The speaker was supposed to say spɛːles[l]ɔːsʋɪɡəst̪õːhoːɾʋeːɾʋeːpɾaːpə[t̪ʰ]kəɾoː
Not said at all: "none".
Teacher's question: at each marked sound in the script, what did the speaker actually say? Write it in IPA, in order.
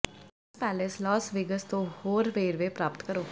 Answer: l, t̪

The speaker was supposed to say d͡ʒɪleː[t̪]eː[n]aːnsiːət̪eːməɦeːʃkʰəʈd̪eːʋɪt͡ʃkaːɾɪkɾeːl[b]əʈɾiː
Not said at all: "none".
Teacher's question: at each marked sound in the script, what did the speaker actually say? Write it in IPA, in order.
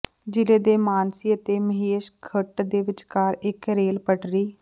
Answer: d̪, m, p

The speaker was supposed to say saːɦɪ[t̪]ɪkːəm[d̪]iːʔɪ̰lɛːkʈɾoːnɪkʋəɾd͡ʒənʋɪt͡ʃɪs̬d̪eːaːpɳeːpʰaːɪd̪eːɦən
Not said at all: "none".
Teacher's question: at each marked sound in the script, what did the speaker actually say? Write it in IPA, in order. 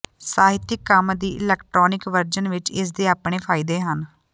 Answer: t̪, d̪

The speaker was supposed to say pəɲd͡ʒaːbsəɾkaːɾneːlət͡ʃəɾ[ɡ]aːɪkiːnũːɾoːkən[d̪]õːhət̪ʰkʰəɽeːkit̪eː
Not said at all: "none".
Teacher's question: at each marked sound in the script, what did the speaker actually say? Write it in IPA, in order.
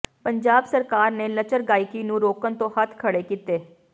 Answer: ɡ, t̪

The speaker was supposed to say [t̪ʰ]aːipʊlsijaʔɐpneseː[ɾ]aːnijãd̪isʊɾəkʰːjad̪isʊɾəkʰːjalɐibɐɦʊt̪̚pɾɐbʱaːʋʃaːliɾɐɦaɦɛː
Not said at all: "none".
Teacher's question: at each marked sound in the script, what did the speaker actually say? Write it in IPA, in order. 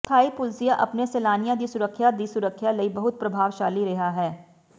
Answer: t̪ʰ, l

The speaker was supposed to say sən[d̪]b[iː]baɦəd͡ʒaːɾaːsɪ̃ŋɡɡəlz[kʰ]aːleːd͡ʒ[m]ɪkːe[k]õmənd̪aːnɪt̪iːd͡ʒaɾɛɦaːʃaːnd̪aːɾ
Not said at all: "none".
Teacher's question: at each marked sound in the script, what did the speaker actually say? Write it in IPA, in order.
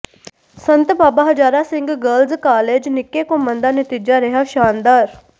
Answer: t̪, aː, k, n, k

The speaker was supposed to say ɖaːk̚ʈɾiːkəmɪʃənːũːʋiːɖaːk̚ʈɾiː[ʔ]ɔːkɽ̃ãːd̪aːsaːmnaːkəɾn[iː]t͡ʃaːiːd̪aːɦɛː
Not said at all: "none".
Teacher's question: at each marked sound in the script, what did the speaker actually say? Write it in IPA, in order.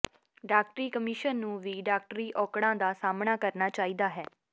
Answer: ʔ, aː

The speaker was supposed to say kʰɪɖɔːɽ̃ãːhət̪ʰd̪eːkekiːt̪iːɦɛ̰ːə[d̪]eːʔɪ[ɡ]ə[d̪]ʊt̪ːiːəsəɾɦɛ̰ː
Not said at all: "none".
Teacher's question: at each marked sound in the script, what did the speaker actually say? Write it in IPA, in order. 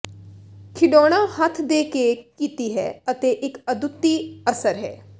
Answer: t̪, k, d̪

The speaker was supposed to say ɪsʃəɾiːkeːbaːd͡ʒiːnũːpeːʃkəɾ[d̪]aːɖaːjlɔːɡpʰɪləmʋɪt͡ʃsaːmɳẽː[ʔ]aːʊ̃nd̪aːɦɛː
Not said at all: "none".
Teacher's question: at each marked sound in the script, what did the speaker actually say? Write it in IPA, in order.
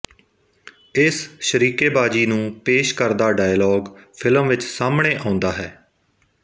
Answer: d̪, ʔ

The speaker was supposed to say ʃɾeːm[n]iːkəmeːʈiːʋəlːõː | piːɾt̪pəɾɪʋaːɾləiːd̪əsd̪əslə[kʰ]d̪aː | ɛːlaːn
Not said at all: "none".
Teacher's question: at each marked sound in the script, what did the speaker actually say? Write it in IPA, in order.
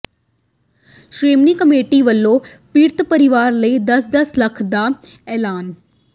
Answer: n, kʰ

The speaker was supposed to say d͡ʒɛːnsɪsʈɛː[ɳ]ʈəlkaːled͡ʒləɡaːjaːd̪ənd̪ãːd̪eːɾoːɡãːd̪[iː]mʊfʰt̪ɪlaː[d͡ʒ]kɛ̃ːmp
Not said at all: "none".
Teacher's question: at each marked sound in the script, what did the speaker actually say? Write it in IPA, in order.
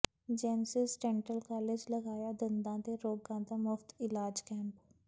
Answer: ɳ, aː, d͡ʒ

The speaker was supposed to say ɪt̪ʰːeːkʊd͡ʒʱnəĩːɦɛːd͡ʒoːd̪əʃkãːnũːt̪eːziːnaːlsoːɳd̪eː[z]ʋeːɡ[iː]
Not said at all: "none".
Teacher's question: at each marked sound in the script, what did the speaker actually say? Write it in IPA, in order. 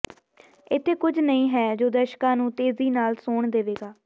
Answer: none, aː

